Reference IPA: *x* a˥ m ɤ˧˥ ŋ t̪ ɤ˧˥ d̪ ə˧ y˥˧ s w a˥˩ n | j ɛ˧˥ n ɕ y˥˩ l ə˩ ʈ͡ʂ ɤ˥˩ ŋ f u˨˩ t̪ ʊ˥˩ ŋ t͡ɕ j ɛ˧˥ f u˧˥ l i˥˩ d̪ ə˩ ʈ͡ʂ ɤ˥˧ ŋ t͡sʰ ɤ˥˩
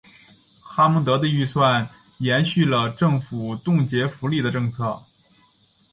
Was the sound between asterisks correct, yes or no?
yes